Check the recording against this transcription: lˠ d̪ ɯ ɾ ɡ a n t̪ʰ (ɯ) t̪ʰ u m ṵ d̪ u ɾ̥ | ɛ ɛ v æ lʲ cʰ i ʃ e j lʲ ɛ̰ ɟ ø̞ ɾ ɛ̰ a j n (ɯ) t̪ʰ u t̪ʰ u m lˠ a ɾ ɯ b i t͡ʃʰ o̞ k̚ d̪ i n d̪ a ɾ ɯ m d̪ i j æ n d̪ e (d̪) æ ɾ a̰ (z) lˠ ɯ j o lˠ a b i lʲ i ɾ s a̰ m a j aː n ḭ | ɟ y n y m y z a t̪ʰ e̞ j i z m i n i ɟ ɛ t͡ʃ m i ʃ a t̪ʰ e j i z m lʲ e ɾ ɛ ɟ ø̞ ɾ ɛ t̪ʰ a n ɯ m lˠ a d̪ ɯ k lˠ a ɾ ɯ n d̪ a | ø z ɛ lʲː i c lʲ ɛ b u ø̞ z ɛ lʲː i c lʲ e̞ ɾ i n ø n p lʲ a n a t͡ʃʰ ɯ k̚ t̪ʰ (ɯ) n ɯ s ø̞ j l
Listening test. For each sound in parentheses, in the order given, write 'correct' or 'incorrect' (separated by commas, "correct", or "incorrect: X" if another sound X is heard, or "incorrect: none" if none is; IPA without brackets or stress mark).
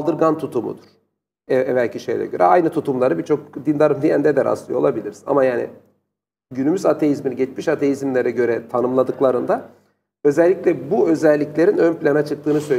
incorrect: u, correct, correct, incorrect: s, incorrect: ɯː